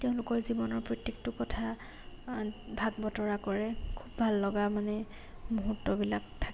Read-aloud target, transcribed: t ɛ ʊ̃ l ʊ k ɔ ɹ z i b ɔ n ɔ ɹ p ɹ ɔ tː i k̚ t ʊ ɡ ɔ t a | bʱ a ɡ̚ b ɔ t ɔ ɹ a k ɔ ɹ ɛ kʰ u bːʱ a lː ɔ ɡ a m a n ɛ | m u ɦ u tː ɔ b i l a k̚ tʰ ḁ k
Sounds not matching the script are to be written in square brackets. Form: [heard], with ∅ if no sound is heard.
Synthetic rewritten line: t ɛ ʊ̃ l ʊ k ɔ ɹ z i b ɔ n ɔ ɹ p ɹ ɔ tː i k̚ t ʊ [k] ɔ [tʰ] a | bʱ a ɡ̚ b ɔ t ɔ ɹ a k ɔ ɹ ɛ kʰ u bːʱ a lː ɔ ɡ a m a n ɛ | m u ɦ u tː ɔ b i l a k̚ tʰ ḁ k

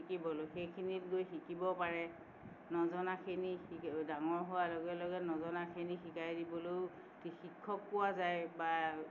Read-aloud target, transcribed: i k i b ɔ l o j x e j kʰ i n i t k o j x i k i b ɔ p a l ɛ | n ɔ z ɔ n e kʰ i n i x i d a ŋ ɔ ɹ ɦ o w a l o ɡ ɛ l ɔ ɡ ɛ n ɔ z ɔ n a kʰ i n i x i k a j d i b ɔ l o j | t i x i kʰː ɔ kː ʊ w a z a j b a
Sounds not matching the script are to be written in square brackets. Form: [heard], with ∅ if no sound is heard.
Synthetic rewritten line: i k i b ɔ l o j x e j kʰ i n i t [ɡ] o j x i k i b ɔ p a [ɹ] ɛ | n ɔ z ɔ n [a] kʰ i n i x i d a ŋ ɔ ɹ ɦ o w a l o ɡ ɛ l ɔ ɡ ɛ n ɔ z ɔ n a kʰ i n i x i k a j d i b ɔ l o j | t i x i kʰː ɔ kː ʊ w a z a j b a

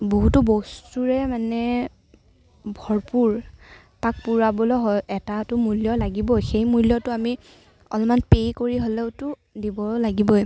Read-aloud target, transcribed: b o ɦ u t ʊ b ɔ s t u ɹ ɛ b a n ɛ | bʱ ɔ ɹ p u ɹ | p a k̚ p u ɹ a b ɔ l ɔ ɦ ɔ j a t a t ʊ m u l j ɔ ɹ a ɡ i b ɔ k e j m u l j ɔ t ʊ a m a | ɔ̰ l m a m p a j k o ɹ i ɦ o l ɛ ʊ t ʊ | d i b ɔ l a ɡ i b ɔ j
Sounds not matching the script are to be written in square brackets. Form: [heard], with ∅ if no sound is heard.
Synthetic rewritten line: b o ɦ u t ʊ b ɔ s t u ɹ ɛ [m] a n ɛ | bʱ ɔ ɹ p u ɹ | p a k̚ p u ɹ a b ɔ l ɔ ɦ ɔ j [ɛ] t a t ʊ m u l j ɔ [l] a ɡ i b ɔ [x] e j m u l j ɔ t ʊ a m [i] | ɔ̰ l m a [n] p [e] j k o ɹ i ɦ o l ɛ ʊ t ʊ | d i b ɔ l a ɡ i b ɔ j

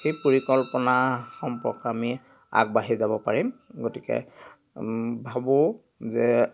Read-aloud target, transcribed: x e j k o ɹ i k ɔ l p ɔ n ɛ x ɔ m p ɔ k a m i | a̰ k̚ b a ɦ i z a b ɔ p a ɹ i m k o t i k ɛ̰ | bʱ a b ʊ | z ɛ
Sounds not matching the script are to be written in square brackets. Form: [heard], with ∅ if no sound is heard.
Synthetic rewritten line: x e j [p] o ɹ i k ɔ l p ɔ n [a] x ɔ m p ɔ k a m i | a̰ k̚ b a ɦ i z a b ɔ p a ɹ i m [ɡ] o t i k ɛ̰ | bʱ a b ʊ | z ɛ

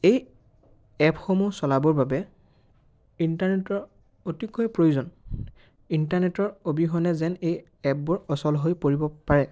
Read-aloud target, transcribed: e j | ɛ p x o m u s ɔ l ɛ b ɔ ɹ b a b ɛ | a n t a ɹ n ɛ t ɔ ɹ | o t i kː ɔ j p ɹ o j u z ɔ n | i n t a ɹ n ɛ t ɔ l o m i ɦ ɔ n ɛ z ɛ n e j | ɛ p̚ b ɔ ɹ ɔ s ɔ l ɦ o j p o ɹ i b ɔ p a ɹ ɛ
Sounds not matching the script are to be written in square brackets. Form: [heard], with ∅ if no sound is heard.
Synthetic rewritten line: e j | ɛ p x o m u s ɔ l [a] b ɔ ɹ b a b ɛ | [i] n t a ɹ n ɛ t ɔ ɹ | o t i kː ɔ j p ɹ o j u z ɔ n | i n t a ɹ n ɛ t ɔ [ɹ] o [b] i ɦ ɔ n ɛ z ɛ n e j | ɛ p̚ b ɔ ɹ ɔ s ɔ l ɦ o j p o ɹ i b ɔ p a ɹ ɛ

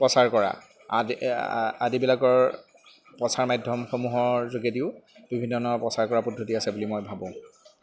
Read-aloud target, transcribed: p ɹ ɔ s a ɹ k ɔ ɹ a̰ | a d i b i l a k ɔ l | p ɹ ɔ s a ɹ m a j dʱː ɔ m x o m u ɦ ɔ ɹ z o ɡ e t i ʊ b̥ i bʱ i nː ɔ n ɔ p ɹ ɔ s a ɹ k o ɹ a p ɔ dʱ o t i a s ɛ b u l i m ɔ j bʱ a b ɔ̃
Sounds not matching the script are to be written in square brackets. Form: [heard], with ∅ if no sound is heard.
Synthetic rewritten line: p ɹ ɔ s a ɹ k ɔ ɹ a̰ | a d i b i l a k ɔ [ɹ] | p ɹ ɔ s a ɹ m a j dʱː ɔ m x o m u ɦ ɔ ɹ z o ɡ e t i ʊ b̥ i bʱ i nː ɔ n ɔ p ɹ ɔ s a ɹ k [ɔ] ɹ a p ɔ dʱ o t i a s ɛ b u l i m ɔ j bʱ a b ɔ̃

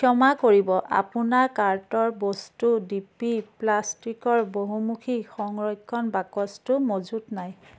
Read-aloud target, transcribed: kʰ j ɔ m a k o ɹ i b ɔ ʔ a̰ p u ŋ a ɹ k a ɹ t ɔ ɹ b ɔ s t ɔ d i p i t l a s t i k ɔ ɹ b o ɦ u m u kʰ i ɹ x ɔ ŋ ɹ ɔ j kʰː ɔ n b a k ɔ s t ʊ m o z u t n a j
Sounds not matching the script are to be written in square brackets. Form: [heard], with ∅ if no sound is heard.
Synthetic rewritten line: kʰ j ɔ m a k o ɹ i b ɔ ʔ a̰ p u [n] a ɹ k a ɹ t ɔ ɹ b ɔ s t [u] d i p i [p] l a s t i k ɔ ɹ b o ɦ u m u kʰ i [∅] x ɔ ŋ ɹ ɔ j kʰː ɔ n b a k ɔ s t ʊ m o z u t n a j

